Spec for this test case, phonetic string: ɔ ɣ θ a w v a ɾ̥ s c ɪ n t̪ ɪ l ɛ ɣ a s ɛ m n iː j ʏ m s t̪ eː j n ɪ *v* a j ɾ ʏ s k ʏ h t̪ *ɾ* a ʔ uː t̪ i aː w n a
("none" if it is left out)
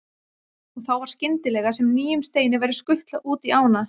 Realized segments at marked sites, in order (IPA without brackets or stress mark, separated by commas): v, l